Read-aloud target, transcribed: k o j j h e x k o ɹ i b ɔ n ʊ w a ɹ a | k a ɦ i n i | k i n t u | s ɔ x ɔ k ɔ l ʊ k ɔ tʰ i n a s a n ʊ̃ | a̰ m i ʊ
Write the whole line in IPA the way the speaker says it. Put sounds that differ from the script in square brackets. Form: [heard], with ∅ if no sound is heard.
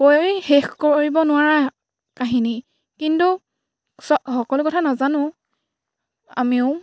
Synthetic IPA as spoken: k o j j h e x k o ɹ i b ɔ n ʊ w a ɹ a | k a ɦ i n i | k i n t u | s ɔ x ɔ k ɔ l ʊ k ɔ tʰ [a] n a [z] a n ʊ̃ | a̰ m i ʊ

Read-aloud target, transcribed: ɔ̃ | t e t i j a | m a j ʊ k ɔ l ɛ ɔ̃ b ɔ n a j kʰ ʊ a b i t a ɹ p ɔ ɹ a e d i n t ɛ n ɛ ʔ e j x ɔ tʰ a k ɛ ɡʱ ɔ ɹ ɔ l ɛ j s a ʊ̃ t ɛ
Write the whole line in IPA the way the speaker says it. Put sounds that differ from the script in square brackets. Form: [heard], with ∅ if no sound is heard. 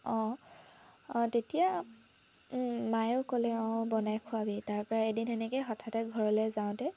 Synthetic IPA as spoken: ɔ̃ | t e t i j a | m a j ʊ k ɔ l ɛ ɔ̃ b ɔ n a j kʰ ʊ a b i t a ɹ p ɔ ɹ a e d i n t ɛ n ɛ [k] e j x ɔ tʰ a [t] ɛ ɡʱ ɔ ɹ ɔ l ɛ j [z] a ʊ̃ t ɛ

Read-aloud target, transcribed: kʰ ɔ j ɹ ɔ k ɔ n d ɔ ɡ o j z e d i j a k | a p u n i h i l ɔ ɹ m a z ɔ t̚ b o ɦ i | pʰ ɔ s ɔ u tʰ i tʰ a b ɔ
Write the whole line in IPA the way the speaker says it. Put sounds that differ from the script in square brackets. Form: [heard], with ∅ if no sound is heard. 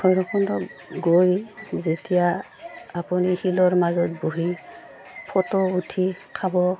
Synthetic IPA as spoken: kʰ ɔ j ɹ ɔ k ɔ n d ɔ ɡ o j z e [t] i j a [∅] | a p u n i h i l ɔ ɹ m a z ɔ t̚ b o ɦ i | pʰ ɔ [t] ɔ u tʰ i [kʰ] a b ɔ

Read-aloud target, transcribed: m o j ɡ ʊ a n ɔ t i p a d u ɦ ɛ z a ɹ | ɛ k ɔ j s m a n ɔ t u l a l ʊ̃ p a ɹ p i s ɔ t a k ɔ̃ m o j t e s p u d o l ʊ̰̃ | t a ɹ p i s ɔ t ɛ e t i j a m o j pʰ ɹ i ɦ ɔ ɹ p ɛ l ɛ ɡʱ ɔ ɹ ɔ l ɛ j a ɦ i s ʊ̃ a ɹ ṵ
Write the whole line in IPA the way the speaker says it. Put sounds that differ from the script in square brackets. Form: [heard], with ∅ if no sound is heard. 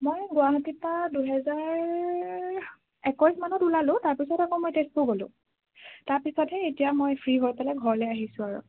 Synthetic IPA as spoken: m o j ɡ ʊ a n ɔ t i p a d u ɦ ɛ z a ɹ | ɛ k ɔ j s m a n ɔ t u l a l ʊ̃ [t] a ɹ p i s ɔ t a k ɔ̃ m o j t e s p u [ɡ] o l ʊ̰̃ | t a ɹ p i s ɔ t ɛ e t i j a m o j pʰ ɹ i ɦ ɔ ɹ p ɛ l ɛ ɡʱ ɔ ɹ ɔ l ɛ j a ɦ i s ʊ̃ a ɹ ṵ

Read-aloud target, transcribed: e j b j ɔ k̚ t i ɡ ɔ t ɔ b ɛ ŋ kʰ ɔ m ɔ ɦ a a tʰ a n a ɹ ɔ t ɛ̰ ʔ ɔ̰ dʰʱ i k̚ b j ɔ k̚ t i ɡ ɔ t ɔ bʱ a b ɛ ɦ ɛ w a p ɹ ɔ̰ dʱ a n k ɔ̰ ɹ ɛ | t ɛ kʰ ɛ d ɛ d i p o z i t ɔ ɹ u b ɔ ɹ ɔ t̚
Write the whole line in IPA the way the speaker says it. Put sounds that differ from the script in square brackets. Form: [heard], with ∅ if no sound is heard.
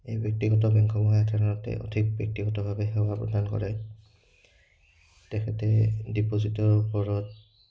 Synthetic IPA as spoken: e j b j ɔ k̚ t i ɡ ɔ t ɔ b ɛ ŋ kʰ ɔ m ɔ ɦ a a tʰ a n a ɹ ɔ t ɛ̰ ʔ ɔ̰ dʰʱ i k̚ b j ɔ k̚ t i ɡ ɔ t ɔ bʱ a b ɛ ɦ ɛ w a p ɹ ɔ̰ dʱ a n k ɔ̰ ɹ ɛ | t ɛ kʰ ɛ [t] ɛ d i p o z i t ɔ ɹ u [p] ɔ ɹ ɔ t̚

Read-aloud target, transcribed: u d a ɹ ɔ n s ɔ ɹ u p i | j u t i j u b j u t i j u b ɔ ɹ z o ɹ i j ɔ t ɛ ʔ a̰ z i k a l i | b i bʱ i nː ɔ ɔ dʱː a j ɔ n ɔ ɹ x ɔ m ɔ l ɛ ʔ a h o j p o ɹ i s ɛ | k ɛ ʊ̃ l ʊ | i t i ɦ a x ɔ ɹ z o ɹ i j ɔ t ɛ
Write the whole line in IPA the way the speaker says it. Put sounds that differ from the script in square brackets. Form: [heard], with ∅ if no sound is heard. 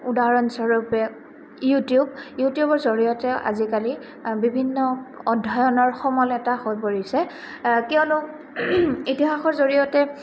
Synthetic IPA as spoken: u d a ɹ ɔ n s ɔ ɹ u p [ɛ] | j u t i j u b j u t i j u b ɔ ɹ z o ɹ i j ɔ t ɛ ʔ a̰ z i k a l i | b i bʱ i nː ɔ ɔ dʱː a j ɔ n ɔ ɹ x ɔ m ɔ l ɛ [t] a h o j p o ɹ i s ɛ | k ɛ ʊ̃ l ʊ | i t i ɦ a x ɔ ɹ z o ɹ i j ɔ t ɛ

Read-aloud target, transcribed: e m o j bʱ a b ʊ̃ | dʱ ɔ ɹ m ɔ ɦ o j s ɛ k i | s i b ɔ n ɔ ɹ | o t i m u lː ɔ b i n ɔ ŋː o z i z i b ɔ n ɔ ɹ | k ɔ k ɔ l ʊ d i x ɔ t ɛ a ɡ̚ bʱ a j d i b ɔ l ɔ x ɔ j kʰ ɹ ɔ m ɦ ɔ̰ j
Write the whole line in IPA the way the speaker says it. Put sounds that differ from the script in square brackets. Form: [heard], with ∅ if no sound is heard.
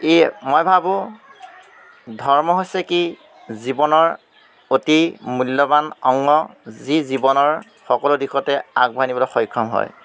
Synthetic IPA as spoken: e m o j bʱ a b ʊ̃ | dʱ ɔ ɹ m ɔ ɦ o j s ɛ k i | [z] i b ɔ n ɔ ɹ | o t i m u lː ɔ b [a] n ɔ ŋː [ɔ] z i z i b ɔ n ɔ ɹ | [x] ɔ k ɔ l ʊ d i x ɔ t ɛ a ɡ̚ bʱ a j [n] i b ɔ l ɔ x ɔ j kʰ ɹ ɔ m ɦ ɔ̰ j

